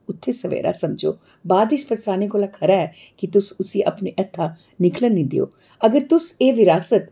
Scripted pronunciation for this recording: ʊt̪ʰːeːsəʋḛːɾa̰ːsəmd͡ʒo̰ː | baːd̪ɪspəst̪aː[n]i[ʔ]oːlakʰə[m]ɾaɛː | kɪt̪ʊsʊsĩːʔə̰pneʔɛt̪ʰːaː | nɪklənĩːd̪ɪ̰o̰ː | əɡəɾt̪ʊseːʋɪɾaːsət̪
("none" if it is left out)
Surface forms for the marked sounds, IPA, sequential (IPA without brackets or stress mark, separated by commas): n, k, none